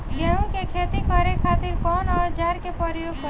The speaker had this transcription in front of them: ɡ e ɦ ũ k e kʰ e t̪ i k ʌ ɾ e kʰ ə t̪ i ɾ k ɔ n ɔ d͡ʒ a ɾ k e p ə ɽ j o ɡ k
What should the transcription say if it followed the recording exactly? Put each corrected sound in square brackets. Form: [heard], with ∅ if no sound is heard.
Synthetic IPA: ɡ e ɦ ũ k e kʰ e t̪ i k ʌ ɾ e kʰ [a] t̪ i ɾ k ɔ n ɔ d͡ʒ a ɾ k e p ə [ɾ] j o ɡ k